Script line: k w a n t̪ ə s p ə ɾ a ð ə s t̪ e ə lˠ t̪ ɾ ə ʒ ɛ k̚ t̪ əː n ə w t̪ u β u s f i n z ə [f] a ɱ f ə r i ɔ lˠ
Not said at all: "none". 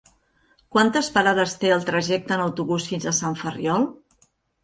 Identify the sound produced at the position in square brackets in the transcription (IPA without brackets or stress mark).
s